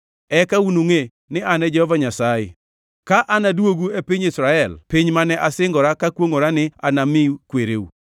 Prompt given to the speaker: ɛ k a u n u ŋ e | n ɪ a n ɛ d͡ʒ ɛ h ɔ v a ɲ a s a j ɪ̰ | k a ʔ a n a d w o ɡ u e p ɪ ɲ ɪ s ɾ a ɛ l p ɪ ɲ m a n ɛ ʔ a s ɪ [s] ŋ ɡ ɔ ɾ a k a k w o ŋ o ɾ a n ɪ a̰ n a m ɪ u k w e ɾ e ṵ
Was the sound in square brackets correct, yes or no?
no